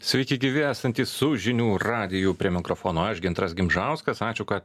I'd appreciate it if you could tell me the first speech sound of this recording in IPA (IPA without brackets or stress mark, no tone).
sʲ